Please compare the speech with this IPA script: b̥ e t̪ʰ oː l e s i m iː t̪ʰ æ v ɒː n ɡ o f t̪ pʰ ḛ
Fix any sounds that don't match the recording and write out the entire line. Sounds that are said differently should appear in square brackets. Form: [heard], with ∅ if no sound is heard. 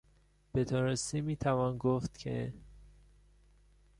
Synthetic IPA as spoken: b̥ e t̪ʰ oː [ɾ] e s i m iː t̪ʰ æ v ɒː n ɡ o f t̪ [cʰ] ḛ